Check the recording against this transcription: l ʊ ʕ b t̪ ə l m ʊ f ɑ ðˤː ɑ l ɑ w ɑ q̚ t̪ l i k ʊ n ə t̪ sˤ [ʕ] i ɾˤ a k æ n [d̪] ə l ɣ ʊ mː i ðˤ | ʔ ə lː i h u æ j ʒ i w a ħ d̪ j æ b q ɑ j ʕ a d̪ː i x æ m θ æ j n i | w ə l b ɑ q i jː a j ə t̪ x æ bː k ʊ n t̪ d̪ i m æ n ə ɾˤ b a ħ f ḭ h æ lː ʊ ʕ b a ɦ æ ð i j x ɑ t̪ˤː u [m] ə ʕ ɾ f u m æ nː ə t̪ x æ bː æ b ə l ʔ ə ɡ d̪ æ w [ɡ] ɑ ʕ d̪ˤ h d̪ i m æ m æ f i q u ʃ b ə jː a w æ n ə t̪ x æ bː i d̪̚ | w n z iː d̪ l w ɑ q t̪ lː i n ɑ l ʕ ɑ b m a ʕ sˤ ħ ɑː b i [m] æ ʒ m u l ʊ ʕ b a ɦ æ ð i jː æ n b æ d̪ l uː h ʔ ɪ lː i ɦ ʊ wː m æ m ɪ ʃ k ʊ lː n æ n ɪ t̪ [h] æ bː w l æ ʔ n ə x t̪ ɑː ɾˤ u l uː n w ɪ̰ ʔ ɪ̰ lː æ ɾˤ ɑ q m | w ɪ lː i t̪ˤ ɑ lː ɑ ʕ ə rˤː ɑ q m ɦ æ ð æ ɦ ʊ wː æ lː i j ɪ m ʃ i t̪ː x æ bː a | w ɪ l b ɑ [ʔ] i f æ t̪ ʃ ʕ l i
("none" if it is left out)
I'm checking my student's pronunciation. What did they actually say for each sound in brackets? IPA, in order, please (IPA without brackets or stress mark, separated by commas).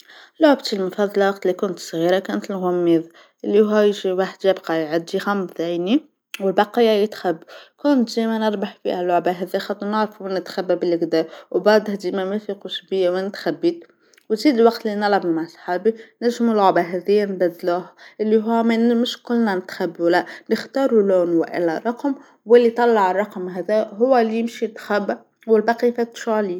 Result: ɣ, t̪, n, b, n, x, q